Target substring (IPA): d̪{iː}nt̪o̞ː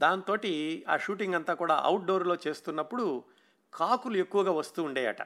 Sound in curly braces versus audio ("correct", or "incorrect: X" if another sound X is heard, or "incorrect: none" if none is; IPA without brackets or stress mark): incorrect: aː